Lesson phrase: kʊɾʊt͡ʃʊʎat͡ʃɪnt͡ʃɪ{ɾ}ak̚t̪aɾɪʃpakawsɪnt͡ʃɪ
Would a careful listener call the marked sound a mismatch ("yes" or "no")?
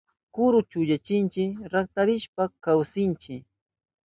no